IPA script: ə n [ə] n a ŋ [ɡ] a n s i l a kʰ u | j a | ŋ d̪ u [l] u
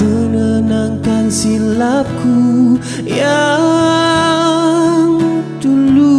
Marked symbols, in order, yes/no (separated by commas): yes, no, yes